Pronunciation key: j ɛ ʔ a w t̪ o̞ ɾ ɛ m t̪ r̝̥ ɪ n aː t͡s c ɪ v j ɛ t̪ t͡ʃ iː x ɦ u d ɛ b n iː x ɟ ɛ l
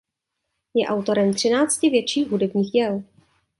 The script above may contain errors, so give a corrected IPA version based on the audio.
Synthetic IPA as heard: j ɛ ʔ a w t̪ o̞ ɾ ɛ m t̪ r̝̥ ɪ n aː t͡s c ɪ v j ɛ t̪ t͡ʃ iː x ɦ u d ɛ b ɲ iː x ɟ ɛ l